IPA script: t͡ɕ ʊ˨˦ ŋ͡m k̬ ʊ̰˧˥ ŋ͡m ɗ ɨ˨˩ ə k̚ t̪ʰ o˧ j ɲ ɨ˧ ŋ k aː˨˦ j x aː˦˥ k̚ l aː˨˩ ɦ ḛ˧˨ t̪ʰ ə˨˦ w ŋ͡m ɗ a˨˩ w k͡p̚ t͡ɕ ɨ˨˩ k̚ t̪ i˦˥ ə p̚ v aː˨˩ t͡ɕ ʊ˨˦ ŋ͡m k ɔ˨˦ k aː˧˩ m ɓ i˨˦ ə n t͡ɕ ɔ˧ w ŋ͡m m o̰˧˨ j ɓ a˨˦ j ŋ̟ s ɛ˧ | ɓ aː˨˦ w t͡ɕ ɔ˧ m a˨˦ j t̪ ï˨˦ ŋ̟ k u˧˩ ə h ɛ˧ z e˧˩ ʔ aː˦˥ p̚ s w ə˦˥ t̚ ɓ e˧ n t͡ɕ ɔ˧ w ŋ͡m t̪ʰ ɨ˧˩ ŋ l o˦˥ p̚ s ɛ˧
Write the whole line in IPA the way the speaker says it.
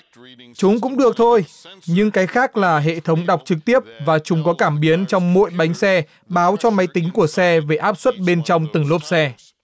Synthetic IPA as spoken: t͡ɕ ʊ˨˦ ŋ͡m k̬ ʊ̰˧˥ ŋ͡m ɗ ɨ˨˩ ə k̚ t̪ʰ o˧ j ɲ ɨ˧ ŋ k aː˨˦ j x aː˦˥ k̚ l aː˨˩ ɦ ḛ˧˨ t̪ʰ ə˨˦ w ŋ͡m ɗ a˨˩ w k͡p̚ t͡ɕ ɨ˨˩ k̚ t̪ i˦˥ ə p̚ v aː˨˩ t͡ɕ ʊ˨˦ ŋ͡m k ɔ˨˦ k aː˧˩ m ɓ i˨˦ ə n t͡ɕ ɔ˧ w ŋ͡m m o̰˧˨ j ɓ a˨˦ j ŋ̟ s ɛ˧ | ɓ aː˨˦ w t͡ɕ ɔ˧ m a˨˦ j t̪ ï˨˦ ŋ̟ k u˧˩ ə s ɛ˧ v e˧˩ ʔ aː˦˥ p̚ s w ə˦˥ t̚ ɓ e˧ n t͡ɕ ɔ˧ w ŋ͡m t̪ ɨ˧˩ ŋ l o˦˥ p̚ s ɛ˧